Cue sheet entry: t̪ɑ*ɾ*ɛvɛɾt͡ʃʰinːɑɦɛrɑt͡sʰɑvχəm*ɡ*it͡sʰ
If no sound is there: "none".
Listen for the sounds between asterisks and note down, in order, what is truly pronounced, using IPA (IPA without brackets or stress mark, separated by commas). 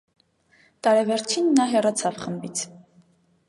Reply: ɾ, b